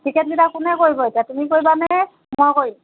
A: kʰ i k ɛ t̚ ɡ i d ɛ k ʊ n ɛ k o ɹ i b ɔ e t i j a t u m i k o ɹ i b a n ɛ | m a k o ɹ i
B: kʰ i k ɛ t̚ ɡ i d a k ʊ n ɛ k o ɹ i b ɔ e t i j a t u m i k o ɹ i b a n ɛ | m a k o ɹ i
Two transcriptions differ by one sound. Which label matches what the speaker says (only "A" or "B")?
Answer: B